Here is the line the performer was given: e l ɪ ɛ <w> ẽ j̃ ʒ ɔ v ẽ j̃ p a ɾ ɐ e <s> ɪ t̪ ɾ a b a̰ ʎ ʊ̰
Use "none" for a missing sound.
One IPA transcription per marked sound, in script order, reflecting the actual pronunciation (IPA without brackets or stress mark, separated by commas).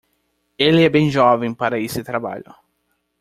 b, s